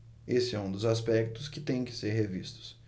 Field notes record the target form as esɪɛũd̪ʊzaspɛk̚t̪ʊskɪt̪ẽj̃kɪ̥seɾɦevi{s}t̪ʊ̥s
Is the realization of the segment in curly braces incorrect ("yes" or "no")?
no